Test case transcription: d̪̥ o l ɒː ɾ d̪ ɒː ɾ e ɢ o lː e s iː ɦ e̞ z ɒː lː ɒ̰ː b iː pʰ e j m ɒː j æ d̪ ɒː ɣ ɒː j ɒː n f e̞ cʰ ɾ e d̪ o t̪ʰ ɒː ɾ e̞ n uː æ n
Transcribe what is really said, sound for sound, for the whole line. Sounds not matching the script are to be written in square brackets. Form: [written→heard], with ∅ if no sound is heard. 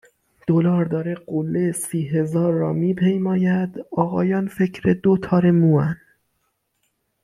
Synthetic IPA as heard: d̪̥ o l ɒː ɾ d̪ ɒː ɾ e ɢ o lː e s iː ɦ e̞ z ɒː [lː→ɾː] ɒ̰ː [b→m] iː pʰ e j m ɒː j æ d̪ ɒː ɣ ɒː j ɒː n f e̞ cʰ ɾ e d̪ o t̪ʰ ɒː ɾ e̞ [n→m] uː æ n